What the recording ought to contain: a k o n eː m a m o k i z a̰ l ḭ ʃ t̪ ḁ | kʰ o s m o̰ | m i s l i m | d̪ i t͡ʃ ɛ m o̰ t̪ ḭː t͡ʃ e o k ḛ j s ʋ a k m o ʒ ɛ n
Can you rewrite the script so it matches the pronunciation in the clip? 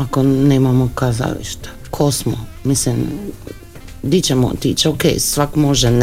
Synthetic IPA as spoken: a k o n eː m a m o k a z a̰ l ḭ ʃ t̪ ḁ | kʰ o s m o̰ | m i s l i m | d̪ i t͡ʃ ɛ m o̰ t̪ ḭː t͡ʃ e o k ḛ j s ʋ a k m o ʒ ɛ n